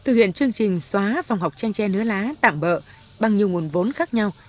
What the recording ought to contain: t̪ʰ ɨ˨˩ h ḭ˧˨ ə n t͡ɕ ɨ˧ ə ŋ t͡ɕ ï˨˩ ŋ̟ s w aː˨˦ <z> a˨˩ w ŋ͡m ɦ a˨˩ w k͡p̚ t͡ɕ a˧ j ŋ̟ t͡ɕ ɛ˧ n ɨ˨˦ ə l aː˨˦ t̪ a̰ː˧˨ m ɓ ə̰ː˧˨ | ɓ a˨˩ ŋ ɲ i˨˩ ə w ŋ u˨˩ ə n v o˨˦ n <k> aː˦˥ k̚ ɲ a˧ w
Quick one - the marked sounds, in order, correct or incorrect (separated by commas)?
incorrect, incorrect